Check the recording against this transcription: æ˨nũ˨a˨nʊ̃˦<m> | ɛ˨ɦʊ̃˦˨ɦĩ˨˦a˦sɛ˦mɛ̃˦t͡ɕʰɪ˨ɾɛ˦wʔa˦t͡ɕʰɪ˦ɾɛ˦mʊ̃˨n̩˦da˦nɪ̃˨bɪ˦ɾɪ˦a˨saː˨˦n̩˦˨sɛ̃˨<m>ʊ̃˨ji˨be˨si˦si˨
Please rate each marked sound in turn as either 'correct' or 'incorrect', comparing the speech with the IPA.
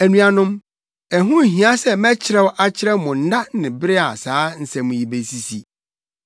correct, correct

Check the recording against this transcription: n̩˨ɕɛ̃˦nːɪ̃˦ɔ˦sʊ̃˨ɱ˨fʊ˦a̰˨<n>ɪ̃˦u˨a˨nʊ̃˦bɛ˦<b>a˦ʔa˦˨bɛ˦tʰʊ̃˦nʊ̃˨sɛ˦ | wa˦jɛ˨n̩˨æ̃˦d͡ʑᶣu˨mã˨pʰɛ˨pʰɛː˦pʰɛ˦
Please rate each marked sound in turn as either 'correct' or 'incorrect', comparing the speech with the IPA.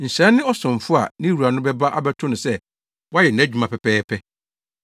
correct, correct

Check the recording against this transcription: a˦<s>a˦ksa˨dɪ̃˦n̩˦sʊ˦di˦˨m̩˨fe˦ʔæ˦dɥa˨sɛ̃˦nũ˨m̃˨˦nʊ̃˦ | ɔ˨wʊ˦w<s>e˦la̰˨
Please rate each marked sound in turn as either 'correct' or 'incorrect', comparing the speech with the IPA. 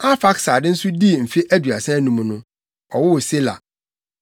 incorrect: f, correct

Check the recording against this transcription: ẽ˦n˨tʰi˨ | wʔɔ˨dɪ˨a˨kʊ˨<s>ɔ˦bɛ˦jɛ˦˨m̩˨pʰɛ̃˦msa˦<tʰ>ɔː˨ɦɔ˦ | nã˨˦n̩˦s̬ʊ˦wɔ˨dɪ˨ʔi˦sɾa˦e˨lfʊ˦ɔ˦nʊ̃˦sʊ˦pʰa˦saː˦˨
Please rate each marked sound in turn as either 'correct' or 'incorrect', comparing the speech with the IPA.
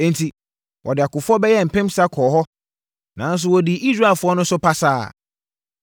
incorrect: f, incorrect: kʰ

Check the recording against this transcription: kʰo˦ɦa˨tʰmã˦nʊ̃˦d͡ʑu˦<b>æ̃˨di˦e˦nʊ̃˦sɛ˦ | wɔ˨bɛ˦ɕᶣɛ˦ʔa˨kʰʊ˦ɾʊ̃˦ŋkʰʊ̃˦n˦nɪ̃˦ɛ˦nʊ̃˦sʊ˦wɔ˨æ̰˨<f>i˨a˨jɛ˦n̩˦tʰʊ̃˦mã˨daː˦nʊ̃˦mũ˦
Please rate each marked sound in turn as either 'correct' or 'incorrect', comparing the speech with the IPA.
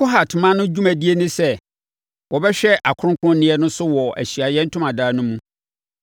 incorrect: m, incorrect: ɕ

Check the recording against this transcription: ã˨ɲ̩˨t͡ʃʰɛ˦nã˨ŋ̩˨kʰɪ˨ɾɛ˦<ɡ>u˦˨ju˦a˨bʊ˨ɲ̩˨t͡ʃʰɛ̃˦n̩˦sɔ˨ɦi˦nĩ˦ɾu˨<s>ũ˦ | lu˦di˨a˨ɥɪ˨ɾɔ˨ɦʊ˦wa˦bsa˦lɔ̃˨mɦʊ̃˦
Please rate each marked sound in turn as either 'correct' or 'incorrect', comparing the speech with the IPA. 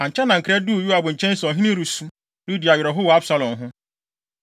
incorrect: d, correct

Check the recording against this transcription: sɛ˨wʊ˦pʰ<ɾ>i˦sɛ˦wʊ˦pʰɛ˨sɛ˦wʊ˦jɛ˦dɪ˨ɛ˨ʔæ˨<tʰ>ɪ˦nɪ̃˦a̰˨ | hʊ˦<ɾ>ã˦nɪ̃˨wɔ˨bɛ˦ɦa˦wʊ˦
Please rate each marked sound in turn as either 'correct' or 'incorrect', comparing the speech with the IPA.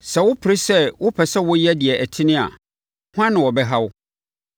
correct, correct, incorrect: none

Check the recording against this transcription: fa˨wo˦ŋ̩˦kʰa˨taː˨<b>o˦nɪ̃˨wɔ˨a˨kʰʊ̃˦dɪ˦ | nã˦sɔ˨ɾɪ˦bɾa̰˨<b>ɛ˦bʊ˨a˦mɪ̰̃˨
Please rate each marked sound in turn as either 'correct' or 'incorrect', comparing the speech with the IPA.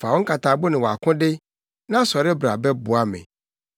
correct, correct

